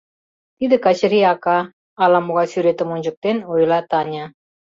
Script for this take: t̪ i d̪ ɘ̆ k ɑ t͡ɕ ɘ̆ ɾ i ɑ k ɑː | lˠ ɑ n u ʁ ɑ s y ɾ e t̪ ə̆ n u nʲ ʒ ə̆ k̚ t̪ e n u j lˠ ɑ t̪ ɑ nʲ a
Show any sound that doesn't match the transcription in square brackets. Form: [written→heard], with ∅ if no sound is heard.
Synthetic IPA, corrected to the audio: t̪ i d̪ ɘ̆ k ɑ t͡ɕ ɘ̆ ɾ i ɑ k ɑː | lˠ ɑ [n→m] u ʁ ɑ s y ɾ e t̪ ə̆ [n→m] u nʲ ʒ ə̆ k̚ t̪ e n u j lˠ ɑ t̪ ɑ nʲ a